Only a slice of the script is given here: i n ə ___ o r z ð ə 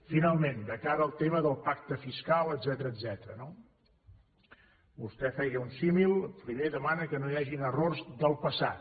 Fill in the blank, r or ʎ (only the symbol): r